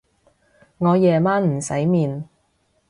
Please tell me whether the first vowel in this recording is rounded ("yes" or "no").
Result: yes